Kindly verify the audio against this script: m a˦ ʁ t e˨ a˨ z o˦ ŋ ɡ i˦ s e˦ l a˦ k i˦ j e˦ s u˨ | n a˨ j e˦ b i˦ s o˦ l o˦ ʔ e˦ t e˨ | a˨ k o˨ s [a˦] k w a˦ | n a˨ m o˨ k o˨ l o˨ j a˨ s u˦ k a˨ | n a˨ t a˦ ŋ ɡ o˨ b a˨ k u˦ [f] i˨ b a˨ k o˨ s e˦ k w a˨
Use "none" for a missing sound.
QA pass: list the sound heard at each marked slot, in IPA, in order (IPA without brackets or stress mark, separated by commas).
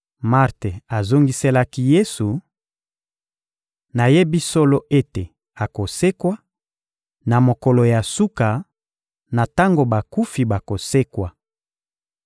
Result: e˦, f